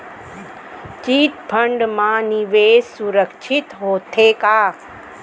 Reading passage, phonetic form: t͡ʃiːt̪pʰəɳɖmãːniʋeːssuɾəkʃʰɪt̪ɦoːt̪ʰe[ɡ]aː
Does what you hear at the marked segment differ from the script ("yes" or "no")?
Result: yes